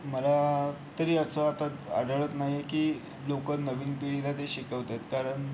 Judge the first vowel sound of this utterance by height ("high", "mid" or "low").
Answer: mid